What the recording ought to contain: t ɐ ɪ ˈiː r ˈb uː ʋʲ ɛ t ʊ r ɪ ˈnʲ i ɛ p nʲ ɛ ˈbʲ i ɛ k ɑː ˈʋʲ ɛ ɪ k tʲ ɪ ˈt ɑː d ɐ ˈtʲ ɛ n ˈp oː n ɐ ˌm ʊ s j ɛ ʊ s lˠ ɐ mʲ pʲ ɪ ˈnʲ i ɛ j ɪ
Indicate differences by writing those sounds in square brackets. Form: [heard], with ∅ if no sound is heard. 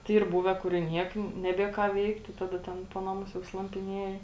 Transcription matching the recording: t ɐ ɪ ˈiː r ˈb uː ʋʲ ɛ [k] ʊ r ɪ ˈnʲ i ɛ [k] nʲ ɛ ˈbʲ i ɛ k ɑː ˈʋʲ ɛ ɪ k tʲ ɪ ˈt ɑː d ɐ ˈtʲ ɛ n ˈp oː n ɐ ˌm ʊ s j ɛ ʊ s lˠ ɐ mʲ pʲ ɪ ˈnʲ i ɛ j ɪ